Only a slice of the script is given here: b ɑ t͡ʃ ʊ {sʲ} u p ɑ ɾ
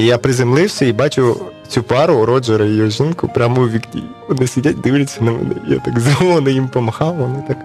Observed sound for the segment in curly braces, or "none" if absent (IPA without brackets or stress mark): t͡sʲ